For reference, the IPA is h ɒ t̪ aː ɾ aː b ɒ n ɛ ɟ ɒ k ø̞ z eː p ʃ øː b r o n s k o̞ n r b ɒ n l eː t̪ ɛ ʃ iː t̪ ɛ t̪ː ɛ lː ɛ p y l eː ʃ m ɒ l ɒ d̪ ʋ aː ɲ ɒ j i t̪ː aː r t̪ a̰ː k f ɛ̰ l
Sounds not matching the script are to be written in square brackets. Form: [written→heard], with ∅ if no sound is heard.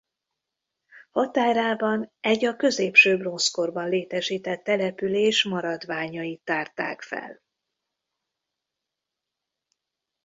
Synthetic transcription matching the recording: h ɒ t̪ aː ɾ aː b ɒ n ɛ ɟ ɒ k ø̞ z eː p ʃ øː b r o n s k o̞ [n→∅] r b ɒ n l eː t̪ ɛ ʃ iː t̪ ɛ t̪ː ɛ [lː→l] ɛ p y l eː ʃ m ɒ [l→ɾ] ɒ d̪ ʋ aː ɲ ɒ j i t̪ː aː r t̪ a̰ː k f ɛ̰ l